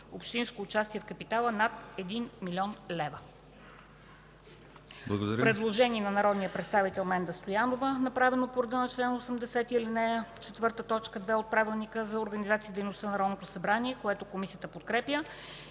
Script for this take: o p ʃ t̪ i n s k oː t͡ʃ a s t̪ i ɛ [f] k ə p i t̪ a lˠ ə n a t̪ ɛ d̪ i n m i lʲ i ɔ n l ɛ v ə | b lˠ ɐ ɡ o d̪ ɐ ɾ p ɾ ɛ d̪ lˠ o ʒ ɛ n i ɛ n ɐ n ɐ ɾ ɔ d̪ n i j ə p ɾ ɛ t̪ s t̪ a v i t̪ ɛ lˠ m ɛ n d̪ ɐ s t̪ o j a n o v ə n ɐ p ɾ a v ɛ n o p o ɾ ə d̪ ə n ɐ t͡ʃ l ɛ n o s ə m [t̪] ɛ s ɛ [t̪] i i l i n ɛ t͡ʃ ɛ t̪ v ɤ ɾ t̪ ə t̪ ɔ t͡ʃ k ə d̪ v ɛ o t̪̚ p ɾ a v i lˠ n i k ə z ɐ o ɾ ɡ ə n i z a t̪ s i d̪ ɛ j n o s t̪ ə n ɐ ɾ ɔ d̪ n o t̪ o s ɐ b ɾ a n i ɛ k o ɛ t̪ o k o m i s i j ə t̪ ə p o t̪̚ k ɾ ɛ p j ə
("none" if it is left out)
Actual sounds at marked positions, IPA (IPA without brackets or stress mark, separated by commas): f, d̪, t̪